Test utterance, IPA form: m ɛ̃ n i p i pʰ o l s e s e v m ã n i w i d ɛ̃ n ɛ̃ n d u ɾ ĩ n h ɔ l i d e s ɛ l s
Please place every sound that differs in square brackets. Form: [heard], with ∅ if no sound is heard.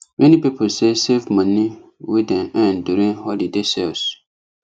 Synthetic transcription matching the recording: m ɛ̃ n i p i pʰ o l s e s e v m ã n i w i d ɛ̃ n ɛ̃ n d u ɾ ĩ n h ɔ l i d e s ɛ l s